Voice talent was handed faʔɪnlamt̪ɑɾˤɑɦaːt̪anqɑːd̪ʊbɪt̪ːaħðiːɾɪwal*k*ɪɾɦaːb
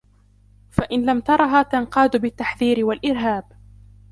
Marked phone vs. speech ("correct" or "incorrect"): incorrect